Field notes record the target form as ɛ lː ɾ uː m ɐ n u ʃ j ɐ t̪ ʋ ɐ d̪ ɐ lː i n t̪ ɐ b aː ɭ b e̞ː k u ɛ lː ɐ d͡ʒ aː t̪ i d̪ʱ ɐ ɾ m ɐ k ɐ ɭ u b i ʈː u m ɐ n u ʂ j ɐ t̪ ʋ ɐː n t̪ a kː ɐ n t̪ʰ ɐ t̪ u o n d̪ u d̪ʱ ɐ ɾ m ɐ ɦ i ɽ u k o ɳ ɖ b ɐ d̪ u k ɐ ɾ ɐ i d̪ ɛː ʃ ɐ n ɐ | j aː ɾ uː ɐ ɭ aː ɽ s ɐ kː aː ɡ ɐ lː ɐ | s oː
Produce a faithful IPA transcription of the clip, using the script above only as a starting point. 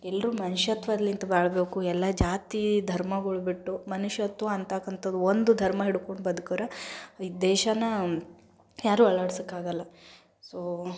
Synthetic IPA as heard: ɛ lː ɾ uː m ɐ n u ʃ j ɐ t̪ ʋ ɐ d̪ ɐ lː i n t̪ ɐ b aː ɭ b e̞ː k u ɛ lː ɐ d͡ʒ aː t̪ i d̪ʱ ɐ ɾ m ɐ ɡ ɐ ɭ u b i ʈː u m ɐ n u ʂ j ɐ t̪ ʋ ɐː n t̪ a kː ɐ n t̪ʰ ɐ d̪ u o n d̪ u d̪ʱ ɐ ɾ m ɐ ɦ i ɽ u k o ɳ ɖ b ɐ d̪ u k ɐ ɾ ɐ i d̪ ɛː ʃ ɐ n ɐ | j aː ɾ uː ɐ ɭ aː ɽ s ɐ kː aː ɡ ɐ lː ɐ | s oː